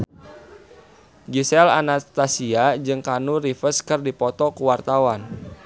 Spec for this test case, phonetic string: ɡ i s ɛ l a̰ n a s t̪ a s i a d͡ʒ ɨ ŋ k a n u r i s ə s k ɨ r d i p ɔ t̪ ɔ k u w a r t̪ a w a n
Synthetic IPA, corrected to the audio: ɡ i s ɛ l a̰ n a s t̪ a s i a d͡ʒ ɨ ŋ k a n u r i f ə s k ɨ r d i p ɔ t̪ ɔ k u w a r t̪ a w a n